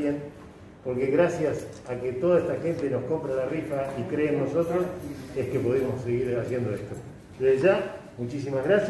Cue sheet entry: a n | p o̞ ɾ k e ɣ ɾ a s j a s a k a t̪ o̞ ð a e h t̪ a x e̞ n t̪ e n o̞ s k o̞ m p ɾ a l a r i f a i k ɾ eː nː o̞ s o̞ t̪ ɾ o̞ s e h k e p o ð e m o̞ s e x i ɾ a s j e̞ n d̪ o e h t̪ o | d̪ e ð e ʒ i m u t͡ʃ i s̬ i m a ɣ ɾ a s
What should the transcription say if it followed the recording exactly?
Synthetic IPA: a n | p o̞ ɾ k e ɣ ɾ a s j a s a k e t̪ o̞ ð a e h t̪ a x e̞ n t̪ e n o̞ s k o̞ m p ɾ a l a r i f a i k ɾ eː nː o̞ s o̞ t̪ ɾ o̞ s e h k e p o ð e m o̞ s e ɣ i ɾ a s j e̞ n d̪ o e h t̪ o | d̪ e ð e ʒ a m u t͡ʃ i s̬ i m a ɣ ɾ a s